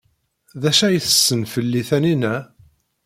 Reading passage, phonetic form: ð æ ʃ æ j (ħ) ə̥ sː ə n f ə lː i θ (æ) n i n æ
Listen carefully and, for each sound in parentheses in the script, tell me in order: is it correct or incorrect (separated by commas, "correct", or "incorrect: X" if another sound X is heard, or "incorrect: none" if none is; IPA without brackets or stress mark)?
incorrect: θ, correct